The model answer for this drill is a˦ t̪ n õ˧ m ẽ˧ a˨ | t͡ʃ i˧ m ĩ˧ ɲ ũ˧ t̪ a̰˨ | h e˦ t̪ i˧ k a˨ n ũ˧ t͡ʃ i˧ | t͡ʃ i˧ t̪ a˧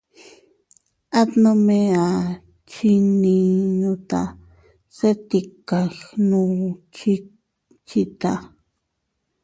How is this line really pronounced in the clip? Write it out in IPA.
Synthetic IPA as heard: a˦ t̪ n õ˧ m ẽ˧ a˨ | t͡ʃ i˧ n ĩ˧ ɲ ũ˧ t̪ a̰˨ | s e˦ t̪ i˧ k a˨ n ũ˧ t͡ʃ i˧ | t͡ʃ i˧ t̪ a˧